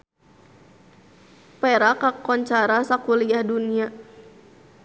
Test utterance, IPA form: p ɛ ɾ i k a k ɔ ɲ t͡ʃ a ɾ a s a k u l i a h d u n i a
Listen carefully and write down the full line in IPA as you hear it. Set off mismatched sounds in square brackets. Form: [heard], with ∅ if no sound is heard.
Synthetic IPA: p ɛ ɾ [a] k a k ɔ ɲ t͡ʃ a ɾ a s a k u l i a h d u n i a